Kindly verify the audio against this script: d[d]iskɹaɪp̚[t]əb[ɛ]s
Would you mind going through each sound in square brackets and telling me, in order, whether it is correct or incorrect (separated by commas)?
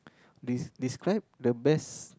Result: correct, incorrect, correct